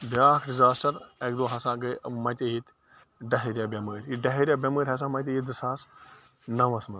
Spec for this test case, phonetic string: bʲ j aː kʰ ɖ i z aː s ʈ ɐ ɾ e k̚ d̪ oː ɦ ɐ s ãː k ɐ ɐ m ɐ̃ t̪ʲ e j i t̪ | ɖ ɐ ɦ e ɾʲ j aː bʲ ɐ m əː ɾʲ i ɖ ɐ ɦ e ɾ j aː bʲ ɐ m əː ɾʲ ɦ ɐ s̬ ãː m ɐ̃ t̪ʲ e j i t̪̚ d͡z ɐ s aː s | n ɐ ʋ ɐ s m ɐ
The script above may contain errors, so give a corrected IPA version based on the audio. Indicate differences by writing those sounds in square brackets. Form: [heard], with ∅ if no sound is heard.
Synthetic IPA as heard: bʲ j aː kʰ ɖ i z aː s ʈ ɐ ɾ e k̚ d̪ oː ɦ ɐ s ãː [ɡ] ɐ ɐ m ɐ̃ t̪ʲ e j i t̪ | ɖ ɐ ɦ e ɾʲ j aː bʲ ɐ m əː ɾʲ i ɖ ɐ ɦ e ɾ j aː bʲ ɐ m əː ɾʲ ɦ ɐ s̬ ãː m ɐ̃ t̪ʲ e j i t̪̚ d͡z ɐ s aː s | n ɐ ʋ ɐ s m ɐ

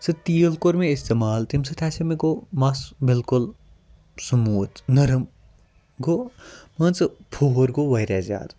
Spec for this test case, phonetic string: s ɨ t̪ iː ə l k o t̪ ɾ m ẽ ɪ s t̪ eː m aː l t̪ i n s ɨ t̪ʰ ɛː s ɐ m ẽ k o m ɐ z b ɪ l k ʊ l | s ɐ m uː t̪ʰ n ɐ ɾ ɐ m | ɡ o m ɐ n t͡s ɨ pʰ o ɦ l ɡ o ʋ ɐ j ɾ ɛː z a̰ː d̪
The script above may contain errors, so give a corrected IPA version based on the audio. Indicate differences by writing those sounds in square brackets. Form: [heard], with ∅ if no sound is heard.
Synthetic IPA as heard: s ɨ t̪ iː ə l k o [∅] ɾ m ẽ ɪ s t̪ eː m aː l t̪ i [m] s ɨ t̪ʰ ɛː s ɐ m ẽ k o m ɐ [s] b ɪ l k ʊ l | s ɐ m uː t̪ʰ n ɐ ɾ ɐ m | ɡ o m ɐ n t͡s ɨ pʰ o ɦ [ɾ] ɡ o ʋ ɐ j ɾ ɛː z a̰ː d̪

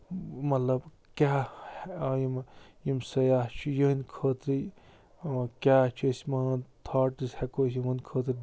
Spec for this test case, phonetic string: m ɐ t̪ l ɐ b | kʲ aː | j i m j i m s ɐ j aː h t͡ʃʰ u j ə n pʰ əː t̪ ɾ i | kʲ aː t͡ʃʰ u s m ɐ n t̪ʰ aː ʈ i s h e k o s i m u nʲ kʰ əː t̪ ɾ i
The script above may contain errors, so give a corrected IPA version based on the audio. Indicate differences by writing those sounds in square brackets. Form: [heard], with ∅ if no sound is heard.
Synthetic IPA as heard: m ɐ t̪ l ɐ b | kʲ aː | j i m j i m s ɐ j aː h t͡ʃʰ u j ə n [kʰ] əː t̪ ɾ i | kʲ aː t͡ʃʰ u s m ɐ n t̪ʰ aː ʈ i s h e k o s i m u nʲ kʰ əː t̪ ɾ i

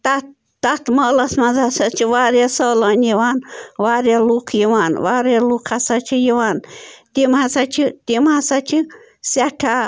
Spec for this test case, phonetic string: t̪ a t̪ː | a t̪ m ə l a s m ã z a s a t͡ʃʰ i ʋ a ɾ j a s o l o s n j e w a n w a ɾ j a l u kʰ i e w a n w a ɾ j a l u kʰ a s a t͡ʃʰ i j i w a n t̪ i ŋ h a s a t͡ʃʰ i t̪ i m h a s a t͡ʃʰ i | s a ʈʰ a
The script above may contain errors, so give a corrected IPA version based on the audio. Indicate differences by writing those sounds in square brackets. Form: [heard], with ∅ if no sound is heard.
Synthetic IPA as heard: t̪ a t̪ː | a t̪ m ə l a s m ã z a s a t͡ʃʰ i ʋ a ɾ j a s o l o [∅] n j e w a n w a ɾ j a l u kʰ [j] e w a n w a ɾ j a l u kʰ a s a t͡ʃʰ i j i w a n t̪ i [m] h a s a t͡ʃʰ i t̪ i m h a s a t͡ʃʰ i | s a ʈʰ a

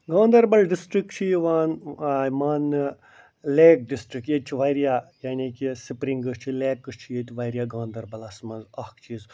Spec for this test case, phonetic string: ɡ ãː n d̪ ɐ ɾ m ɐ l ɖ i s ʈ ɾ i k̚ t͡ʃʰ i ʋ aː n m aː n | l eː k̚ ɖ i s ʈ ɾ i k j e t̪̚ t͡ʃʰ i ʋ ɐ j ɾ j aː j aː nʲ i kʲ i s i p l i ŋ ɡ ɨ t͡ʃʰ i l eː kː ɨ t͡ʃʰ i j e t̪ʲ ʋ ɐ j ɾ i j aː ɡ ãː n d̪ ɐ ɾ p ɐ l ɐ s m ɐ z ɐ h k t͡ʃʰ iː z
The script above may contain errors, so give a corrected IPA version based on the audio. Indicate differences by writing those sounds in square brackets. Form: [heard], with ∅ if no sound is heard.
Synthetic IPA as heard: ɡ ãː n d̪ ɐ ɾ [b] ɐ l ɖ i s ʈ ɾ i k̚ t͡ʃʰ i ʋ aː n m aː n | l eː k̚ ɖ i s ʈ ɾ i k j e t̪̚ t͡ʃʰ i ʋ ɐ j ɾ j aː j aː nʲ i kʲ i s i p [ɾ] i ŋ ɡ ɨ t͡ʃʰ i l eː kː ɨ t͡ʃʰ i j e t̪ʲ ʋ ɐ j ɾ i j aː ɡ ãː n d̪ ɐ ɾ [b] ɐ l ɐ s m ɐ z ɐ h k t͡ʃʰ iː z

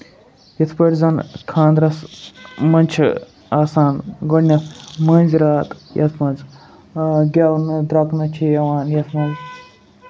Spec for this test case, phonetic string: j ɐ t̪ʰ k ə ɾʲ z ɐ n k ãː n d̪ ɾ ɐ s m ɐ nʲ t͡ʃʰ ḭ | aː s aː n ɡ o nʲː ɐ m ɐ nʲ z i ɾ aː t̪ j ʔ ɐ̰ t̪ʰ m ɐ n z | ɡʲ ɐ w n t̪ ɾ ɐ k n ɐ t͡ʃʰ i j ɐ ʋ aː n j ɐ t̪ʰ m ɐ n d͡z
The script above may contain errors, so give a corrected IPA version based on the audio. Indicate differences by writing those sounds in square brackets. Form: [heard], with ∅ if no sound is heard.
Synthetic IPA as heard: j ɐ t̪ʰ [p] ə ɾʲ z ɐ n [kʰ] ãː n d̪ ɾ ɐ s m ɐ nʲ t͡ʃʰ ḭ | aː s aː n ɡ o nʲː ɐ m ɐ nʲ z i ɾ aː t̪ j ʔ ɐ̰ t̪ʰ m ɐ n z | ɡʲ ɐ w n [d̪] ɾ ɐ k n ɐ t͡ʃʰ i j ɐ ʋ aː n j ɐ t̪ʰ m ɐ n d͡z

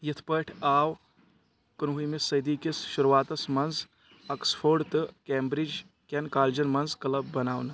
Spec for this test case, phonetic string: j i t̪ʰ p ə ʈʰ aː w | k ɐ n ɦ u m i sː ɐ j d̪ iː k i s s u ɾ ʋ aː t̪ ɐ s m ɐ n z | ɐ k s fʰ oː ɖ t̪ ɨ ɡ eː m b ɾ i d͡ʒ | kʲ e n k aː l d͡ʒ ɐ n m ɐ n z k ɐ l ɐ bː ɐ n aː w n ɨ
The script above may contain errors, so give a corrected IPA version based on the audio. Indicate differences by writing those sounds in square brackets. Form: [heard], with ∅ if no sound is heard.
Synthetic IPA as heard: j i t̪ʰ p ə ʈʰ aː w | k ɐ n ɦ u m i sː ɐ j d̪ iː k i s [ʃ] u ɾ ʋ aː t̪ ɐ s m ɐ n z | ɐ k s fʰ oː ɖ t̪ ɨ [k] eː m b ɾ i d͡ʒ | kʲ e n k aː l d͡ʒ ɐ n m ɐ n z k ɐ l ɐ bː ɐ n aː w n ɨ

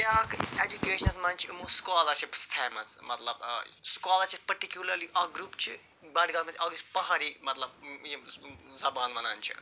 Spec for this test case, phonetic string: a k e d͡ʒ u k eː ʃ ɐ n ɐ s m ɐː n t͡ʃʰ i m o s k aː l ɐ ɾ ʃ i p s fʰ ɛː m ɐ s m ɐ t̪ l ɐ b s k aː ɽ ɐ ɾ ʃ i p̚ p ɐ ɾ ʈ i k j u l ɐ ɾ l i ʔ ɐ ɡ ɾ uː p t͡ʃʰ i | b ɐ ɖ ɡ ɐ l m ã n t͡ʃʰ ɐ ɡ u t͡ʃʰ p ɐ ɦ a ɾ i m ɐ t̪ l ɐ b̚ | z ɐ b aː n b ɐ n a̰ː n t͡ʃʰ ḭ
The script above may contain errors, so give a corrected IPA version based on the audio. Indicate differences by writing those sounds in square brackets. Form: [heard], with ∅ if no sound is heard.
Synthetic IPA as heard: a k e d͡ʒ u k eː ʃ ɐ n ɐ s m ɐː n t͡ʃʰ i m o s k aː l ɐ ɾ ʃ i p s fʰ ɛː m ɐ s m ɐ t̪ l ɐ b s k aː [l] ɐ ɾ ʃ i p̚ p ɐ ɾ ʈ i k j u l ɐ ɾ l i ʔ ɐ ɡ ɾ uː p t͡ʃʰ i | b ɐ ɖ ɡ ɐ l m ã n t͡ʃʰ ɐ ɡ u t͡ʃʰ p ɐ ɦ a ɾ i m ɐ t̪ l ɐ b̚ | z ɐ b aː n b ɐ n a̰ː n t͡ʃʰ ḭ

